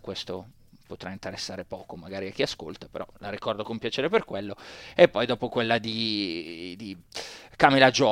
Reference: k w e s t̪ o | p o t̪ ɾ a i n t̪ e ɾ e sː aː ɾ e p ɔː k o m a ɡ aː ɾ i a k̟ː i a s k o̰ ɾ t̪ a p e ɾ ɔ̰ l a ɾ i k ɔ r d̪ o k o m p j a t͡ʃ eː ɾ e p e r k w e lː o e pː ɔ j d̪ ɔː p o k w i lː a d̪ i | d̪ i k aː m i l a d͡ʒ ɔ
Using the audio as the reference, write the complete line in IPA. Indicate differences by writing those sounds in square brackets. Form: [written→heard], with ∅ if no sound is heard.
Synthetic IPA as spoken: k w e s t̪ o | p o t̪ ɾ a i n t̪ e ɾ e sː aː ɾ e p ɔː k o m a ɡ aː ɾ i a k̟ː i a s k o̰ [ɾ→l] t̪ a p e ɾ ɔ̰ l a ɾ i k ɔ r d̪ o k o m p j a t͡ʃ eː ɾ e p e r k w e lː o e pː ɔ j d̪ ɔː p o k w [i→e] lː a d̪ i | d̪ i k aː m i l a d͡ʒ ɔ